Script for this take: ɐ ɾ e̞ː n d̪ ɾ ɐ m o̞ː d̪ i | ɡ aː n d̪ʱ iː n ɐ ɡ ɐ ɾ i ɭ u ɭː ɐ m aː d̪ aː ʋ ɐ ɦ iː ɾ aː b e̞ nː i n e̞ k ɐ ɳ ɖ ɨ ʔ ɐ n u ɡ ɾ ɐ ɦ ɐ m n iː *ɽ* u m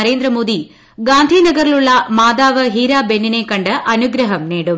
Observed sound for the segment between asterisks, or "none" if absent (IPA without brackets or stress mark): ɽ